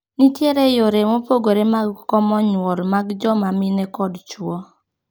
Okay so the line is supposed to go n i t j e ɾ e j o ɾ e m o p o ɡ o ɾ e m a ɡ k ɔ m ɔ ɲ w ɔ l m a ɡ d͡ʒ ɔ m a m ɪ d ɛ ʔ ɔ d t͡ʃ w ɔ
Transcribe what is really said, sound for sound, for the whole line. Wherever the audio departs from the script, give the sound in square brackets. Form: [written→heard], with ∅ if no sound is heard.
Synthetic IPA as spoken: n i t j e ɾ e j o ɾ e m o p o ɡ o ɾ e m a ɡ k ɔ m ɔ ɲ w ɔ l m a ɡ d͡ʒ ɔ m a m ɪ [d→n] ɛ [ʔ→k] ɔ d t͡ʃ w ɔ